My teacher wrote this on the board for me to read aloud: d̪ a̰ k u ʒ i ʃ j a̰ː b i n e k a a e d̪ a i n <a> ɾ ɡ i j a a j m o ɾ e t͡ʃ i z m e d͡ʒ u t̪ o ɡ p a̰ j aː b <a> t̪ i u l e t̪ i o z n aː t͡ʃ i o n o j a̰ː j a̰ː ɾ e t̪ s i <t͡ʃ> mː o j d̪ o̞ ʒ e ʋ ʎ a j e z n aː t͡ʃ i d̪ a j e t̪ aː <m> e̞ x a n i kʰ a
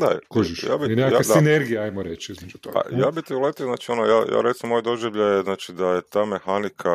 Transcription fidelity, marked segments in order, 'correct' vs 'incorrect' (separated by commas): incorrect, incorrect, incorrect, correct